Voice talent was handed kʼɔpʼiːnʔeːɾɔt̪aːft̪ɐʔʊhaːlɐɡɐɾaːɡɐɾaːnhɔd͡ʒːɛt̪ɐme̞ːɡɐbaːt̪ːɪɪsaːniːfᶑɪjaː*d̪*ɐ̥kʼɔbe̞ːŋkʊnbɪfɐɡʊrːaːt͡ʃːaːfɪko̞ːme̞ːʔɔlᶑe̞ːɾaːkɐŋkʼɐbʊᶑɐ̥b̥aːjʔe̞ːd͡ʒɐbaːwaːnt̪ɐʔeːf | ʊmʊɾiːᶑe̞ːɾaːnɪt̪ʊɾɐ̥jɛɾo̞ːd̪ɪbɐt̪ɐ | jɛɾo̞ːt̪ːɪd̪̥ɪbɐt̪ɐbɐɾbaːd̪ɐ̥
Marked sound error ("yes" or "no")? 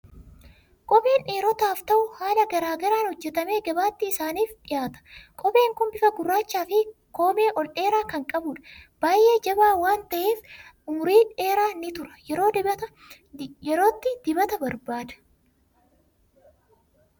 yes